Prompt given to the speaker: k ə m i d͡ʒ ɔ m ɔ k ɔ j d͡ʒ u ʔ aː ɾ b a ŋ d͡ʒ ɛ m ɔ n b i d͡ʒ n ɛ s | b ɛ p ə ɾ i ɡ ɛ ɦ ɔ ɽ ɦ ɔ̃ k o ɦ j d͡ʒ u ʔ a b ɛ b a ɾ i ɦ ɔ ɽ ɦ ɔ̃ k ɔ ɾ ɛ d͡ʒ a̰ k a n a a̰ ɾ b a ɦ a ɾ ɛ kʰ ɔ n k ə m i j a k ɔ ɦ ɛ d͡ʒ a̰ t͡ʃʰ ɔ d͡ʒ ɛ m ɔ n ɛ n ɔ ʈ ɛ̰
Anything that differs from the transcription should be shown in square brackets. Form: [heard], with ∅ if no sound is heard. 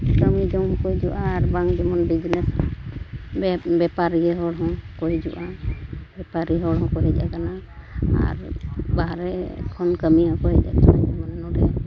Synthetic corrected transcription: k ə m i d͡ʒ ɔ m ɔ k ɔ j d͡ʒ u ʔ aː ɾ b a ŋ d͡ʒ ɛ m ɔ n b i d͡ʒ n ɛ s | b ɛ p [a] ɾ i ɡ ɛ ɦ ɔ ɽ ɦ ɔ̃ k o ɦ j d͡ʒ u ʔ a b ɛ [p] a ɾ i ɦ ɔ ɽ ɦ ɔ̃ k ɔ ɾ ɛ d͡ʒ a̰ k a n a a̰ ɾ b a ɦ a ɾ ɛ kʰ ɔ n k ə m i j a k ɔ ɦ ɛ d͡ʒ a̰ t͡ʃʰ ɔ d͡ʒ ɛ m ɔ n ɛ n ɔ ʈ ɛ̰